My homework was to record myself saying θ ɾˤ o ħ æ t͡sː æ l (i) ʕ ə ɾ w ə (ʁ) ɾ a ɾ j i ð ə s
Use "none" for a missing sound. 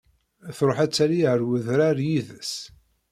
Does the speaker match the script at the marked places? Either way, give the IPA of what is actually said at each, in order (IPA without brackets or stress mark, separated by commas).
i, ð